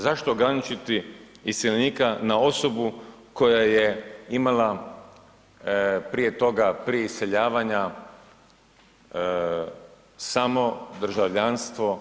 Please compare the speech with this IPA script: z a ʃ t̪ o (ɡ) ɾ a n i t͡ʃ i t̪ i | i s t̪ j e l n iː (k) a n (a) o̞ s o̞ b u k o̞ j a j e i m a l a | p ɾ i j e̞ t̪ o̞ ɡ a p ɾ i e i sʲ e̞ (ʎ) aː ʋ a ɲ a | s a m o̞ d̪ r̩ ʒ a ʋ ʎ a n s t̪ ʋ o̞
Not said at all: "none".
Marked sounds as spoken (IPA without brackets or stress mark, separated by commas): ɡ, k, a, ʎ